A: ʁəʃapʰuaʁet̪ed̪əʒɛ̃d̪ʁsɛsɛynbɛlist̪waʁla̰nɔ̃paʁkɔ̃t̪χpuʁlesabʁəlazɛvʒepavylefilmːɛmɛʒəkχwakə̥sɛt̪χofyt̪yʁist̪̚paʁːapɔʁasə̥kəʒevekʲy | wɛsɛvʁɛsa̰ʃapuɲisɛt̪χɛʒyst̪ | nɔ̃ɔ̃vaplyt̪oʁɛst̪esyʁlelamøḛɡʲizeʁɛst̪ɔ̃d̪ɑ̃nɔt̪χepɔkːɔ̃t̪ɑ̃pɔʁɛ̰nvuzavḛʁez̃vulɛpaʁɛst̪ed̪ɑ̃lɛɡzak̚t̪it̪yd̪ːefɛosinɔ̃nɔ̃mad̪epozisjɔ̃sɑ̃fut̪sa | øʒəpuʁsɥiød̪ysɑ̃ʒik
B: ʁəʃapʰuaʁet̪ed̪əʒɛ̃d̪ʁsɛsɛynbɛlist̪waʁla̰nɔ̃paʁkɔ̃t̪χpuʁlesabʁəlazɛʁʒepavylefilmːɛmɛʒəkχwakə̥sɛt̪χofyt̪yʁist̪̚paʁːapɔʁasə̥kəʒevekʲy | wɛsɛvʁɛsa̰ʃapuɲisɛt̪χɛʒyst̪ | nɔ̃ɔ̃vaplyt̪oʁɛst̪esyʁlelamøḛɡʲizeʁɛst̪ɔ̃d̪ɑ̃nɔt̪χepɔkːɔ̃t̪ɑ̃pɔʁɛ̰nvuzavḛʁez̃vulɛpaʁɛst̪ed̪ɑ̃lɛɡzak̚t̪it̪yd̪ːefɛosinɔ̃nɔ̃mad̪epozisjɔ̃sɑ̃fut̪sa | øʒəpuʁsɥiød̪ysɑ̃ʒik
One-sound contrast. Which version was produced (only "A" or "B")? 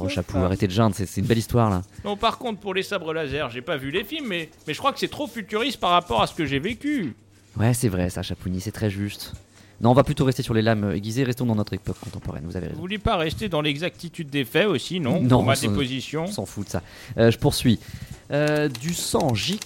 B